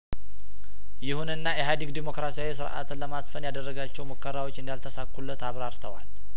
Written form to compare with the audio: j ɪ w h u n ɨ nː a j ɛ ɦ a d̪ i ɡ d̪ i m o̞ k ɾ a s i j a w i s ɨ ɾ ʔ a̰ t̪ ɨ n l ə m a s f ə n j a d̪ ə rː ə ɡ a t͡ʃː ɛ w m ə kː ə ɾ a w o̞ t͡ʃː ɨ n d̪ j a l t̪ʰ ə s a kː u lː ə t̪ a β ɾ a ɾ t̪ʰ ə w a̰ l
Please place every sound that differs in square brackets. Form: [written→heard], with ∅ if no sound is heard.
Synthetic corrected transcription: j ɪ [w→∅] h u n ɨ nː a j ɛ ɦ a d̪ i ɡ d̪ i m o̞ k ɾ a s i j a w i s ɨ ɾ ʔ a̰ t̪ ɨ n l ə m a s f ə n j a d̪ ə rː ə ɡ a t͡ʃː ɛ w m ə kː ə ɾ a w o̞ t͡ʃː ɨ n d̪ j a l t̪ʰ ə s a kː u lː ə t̪ a β ɾ a ɾ t̪ʰ ə w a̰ l